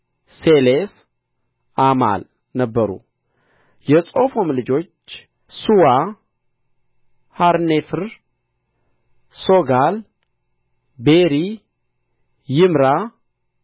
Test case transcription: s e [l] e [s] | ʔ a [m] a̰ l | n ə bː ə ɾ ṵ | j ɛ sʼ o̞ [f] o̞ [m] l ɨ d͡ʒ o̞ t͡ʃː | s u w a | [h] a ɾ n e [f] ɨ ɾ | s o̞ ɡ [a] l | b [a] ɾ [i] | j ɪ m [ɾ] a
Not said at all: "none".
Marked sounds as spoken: l, s, m, f, m, h, f, a, e, i, ɾ

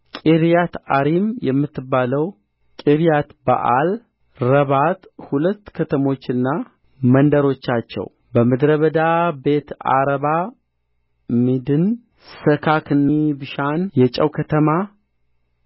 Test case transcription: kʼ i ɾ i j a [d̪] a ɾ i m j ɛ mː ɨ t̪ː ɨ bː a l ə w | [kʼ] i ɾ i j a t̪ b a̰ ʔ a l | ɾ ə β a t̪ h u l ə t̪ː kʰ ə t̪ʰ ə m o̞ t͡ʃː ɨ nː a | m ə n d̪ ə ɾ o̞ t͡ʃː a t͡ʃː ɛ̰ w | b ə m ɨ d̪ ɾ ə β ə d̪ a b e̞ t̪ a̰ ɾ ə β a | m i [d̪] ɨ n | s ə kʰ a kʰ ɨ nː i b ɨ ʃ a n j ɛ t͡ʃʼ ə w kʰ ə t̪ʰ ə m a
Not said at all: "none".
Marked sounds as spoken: t̪, kʼ, d̪

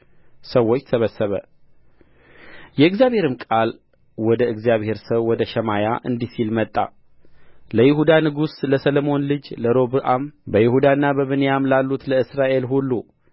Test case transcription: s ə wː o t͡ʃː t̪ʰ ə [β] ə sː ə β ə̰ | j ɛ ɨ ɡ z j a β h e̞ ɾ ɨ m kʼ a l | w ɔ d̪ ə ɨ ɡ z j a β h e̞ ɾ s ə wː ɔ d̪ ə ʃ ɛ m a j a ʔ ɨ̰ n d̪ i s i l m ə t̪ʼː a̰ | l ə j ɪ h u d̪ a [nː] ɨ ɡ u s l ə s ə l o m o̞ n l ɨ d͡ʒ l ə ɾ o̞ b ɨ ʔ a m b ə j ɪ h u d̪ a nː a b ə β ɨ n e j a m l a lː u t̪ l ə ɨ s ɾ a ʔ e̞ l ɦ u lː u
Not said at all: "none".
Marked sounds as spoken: β, n

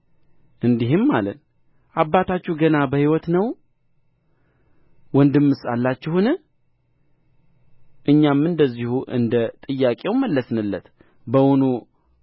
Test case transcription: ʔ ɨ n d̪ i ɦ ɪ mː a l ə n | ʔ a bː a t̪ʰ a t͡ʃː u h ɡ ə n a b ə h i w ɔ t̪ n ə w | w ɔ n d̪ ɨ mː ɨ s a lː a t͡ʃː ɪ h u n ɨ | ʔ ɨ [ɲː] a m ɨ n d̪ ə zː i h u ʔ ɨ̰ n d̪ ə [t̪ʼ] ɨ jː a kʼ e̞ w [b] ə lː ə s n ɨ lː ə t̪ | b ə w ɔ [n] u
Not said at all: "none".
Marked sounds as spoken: ɲː, t̪ʼ, m, n

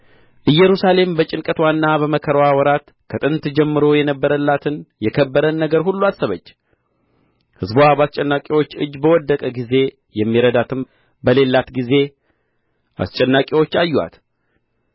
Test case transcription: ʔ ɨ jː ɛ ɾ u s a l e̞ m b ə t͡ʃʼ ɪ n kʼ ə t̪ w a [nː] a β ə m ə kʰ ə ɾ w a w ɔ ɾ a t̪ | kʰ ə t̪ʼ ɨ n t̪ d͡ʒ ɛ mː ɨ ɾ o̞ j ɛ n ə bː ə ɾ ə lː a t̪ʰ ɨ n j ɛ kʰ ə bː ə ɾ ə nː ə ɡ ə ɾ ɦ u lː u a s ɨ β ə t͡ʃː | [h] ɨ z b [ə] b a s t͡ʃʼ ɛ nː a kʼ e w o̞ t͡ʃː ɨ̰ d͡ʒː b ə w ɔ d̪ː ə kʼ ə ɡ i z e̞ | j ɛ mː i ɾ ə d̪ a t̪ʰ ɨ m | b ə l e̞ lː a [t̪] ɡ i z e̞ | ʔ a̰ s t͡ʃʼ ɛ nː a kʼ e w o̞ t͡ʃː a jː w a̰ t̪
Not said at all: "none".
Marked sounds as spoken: nː, h, a, t̪

